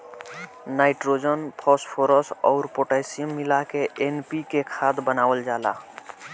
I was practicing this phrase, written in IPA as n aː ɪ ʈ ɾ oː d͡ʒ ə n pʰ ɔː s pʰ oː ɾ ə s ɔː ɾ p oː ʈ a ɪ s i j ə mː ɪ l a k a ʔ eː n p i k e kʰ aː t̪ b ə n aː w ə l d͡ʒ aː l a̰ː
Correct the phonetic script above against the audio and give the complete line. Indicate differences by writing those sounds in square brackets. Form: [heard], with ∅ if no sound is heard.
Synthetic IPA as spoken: n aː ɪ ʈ ɾ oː d͡ʒ ə n pʰ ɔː s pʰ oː ɾ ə s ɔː ɾ p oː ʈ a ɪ s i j ə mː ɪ l a k [e] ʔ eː n p i k e kʰ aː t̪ b ə n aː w ə l d͡ʒ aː l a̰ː